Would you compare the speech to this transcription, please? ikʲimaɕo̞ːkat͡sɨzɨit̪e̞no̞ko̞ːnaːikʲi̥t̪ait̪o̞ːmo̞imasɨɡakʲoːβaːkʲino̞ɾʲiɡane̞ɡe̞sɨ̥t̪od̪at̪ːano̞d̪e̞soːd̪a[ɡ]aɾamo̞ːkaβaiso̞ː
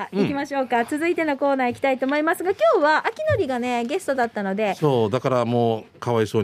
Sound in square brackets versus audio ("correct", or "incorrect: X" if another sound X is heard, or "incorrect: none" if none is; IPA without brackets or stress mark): incorrect: k